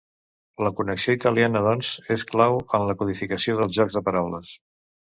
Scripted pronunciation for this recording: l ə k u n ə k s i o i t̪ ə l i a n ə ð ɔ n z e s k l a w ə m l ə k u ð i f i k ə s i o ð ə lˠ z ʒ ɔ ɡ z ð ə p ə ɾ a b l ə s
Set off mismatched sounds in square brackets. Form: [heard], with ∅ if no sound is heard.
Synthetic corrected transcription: l ə k u n ə k s i o i t̪ ə l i a n ə ð ɔ n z e s k l a w ə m l ə k u ð i f i k ə s i o ð ə lˠ z ʒ ɔ ɡ z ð ə p ə ɾ a [w] l ə s

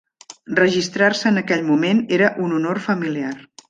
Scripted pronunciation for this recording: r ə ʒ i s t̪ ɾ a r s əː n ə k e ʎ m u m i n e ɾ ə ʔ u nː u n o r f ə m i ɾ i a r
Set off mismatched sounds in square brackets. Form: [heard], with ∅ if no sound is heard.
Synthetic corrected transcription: r ə ʒ i s t̪ ɾ a r s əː n ə k [ɛ] ʎ m u m [e] n e ɾ ə ʔ u [n] u n o r f ə m i [l] i a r

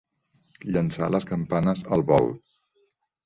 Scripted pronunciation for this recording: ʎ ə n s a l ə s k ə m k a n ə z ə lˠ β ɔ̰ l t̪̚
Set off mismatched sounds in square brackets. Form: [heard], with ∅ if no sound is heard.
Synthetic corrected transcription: ʎ ə n s a l ə s k ə m [p] a n ə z ə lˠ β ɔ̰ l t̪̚

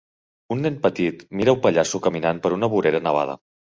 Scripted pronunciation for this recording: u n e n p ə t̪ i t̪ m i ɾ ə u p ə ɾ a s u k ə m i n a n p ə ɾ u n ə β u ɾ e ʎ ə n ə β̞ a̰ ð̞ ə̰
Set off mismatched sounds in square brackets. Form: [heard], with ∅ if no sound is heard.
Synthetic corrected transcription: u [nː] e n p ə t̪ i t̪ m i ɾ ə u p ə [ʎ] a s u k ə m i n a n p ə ɾ u n ə β u ɾ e [ɾ] ə n ə β̞ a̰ ð̞ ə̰

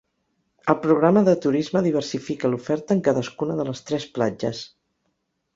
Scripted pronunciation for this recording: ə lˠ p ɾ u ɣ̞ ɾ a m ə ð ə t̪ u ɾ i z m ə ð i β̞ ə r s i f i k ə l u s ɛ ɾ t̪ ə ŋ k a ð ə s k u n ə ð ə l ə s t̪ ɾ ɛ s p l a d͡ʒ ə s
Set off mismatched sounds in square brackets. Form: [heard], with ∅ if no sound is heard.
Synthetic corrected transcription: ə lˠ p ɾ u ɣ̞ ɾ a m ə ð ə t̪ u ɾ i z m ə ð i β̞ ə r s i f i k ə l u [f] ɛ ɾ t̪ ə ŋ k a ð ə s k u n ə ð ə l ə s t̪ ɾ ɛ s p l a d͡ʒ ə s

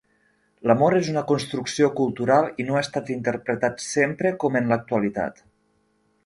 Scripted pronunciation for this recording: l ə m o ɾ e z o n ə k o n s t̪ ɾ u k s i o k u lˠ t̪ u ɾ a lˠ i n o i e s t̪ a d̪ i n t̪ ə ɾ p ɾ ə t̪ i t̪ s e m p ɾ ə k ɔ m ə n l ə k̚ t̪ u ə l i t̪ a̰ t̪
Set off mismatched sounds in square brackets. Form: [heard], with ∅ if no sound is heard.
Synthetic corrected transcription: l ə m o ɾ e z [u] n ə k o n s t̪ ɾ u k s i o k u lˠ t̪ u ɾ a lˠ i n o [a] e s t̪ a [t̪] i n t̪ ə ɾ p ɾ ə t̪ [a] t̪ s e m p ɾ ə k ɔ m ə n l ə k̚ t̪ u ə l i t̪ a̰ t̪

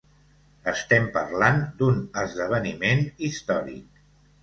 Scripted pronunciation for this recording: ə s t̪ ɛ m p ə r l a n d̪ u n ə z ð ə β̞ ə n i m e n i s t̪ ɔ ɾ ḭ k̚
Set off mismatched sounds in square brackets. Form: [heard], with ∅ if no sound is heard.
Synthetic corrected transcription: ə s t̪ ɛ m p ə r l a n d̪ u n ə z ð ə β̞ ə n i m e n i s t̪ ɔ ɾ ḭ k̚

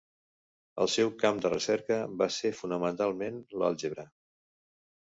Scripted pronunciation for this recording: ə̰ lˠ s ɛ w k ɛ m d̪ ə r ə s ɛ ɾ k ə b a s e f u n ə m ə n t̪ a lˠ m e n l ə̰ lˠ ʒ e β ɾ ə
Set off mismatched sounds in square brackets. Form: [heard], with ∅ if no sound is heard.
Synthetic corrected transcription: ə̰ lˠ s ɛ w k [a] m d̪ ə r ə s ɛ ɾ k ə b a s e f u n ə m ə n t̪ a lˠ m e n l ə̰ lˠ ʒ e β ɾ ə

